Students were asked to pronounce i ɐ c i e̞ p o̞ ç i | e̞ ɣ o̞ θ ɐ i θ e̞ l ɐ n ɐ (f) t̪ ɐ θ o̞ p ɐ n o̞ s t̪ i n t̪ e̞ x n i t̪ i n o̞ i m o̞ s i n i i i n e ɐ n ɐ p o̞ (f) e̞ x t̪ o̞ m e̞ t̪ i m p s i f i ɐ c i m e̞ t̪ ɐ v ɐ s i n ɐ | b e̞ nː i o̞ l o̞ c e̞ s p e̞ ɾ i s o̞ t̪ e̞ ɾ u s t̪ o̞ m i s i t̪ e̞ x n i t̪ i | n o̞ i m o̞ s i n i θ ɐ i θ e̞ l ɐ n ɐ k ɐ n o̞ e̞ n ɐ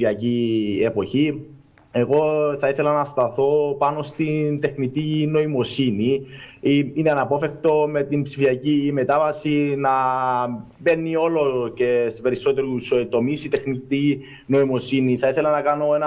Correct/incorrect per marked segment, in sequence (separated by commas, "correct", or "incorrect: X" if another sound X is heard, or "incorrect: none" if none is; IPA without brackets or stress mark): incorrect: s, correct